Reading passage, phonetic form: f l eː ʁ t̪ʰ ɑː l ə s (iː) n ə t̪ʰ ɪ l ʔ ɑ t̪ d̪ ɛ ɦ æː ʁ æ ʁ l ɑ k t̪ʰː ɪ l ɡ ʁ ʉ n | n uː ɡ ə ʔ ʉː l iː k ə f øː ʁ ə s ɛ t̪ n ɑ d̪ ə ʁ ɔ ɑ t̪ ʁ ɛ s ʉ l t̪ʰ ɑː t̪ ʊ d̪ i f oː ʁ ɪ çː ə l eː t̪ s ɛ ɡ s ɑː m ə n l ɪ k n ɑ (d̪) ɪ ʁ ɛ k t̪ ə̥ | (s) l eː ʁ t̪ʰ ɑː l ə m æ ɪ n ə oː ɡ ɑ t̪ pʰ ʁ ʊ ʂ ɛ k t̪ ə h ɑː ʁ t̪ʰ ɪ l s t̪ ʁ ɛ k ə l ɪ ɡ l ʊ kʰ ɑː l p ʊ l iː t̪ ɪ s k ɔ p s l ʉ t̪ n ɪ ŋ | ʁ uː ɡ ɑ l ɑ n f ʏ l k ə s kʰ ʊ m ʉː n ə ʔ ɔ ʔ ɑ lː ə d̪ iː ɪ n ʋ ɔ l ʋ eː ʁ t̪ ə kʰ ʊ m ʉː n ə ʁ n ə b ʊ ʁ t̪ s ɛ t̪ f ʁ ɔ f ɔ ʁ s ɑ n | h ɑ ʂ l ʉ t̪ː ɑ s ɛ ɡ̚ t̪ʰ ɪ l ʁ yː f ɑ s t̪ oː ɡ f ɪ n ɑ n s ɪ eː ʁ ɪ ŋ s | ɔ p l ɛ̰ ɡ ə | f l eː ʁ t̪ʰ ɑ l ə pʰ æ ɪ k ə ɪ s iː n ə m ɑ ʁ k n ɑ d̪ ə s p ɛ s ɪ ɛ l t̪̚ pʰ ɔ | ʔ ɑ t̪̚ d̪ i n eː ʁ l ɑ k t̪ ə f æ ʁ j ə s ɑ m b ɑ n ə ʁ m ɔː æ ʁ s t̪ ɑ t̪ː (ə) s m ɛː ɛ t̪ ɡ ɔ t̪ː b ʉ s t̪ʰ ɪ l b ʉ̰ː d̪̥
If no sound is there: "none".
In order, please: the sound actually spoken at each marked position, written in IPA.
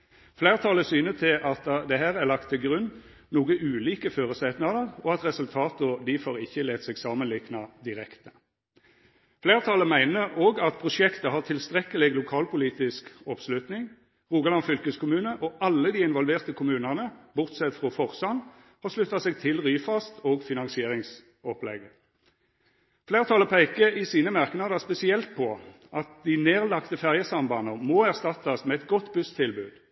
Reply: yː, d̪, f, ɑ

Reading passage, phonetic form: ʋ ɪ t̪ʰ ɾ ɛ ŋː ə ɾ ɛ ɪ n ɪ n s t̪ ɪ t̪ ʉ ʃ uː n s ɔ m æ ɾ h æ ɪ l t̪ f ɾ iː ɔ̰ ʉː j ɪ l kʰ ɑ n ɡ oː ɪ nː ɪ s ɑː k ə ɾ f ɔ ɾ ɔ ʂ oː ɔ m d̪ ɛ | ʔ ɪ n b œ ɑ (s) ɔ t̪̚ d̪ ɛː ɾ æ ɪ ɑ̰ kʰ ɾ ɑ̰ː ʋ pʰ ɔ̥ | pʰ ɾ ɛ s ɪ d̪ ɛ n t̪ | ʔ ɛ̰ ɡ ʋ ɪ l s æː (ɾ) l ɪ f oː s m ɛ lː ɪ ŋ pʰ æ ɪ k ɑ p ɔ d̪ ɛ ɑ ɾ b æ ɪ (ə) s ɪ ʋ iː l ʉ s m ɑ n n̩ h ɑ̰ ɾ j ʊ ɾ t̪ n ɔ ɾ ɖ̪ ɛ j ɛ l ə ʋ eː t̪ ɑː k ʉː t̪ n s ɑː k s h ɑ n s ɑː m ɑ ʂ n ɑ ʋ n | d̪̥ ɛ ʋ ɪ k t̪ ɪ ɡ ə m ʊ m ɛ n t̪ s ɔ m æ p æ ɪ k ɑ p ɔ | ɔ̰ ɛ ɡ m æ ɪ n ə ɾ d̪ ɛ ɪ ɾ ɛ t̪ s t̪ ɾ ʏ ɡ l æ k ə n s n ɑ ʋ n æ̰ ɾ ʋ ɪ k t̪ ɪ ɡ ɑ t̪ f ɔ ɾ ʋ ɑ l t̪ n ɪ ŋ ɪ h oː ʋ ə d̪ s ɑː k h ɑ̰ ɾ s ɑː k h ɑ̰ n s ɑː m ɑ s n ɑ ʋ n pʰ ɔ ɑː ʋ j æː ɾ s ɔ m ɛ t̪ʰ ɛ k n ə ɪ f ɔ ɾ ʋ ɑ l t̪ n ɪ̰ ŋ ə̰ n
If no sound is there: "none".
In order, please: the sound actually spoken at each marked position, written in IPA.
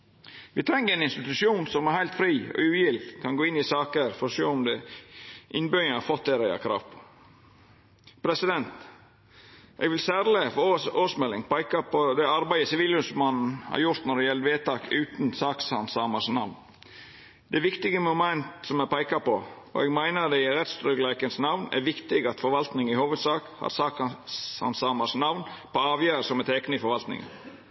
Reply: f, ɾ, ə

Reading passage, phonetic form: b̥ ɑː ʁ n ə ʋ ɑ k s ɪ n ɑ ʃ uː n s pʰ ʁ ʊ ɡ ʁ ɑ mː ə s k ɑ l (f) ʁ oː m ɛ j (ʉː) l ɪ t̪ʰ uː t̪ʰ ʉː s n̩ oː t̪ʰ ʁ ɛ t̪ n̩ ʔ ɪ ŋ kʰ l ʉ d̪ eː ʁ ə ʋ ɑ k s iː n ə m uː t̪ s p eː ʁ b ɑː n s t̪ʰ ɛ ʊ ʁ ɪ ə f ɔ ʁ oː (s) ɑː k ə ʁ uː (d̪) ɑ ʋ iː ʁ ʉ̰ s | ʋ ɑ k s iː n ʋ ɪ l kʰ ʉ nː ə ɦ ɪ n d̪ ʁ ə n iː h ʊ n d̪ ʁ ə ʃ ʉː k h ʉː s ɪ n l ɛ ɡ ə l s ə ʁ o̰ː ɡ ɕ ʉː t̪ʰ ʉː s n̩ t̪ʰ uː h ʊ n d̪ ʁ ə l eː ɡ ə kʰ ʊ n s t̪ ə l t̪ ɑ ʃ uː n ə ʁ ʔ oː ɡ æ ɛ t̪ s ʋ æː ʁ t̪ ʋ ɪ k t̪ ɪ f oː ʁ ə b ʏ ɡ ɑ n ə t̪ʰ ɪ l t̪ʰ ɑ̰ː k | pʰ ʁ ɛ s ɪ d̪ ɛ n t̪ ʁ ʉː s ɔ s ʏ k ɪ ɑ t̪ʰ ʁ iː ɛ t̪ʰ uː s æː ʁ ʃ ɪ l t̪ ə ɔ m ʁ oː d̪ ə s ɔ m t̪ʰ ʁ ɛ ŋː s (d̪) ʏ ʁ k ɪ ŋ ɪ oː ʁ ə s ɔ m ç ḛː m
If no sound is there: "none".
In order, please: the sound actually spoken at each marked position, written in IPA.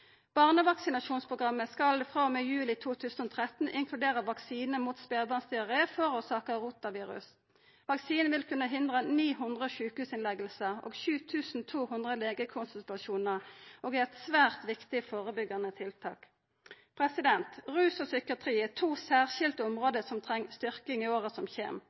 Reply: f, ʉː, s, t̪, t̪

